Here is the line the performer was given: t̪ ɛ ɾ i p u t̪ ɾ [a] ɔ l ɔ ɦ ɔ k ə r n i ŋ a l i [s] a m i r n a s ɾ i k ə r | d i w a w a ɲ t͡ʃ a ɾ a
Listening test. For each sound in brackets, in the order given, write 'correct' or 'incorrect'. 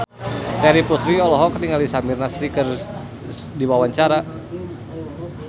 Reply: incorrect: i, correct

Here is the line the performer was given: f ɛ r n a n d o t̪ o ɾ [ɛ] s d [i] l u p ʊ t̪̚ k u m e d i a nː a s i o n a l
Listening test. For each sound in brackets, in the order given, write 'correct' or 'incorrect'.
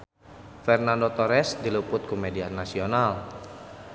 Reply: correct, correct

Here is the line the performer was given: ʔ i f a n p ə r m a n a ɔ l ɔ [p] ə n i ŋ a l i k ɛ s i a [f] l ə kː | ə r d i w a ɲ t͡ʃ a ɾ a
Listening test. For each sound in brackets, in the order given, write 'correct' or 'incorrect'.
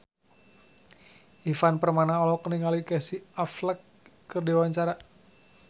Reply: incorrect: k, correct

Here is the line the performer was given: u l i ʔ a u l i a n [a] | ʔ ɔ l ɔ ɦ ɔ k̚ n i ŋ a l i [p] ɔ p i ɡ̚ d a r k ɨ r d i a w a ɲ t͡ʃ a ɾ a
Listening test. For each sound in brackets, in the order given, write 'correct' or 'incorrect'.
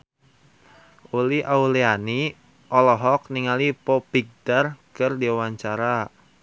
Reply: incorrect: i, correct

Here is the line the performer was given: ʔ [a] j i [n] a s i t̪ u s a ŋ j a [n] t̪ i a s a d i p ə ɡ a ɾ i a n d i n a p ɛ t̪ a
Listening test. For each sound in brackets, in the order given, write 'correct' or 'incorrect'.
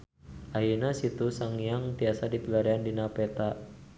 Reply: correct, correct, incorrect: ŋ

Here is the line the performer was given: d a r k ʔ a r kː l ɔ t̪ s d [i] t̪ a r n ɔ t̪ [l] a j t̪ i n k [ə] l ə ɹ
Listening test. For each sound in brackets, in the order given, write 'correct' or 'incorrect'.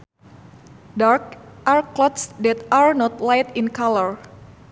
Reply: incorrect: ɛ, correct, incorrect: a

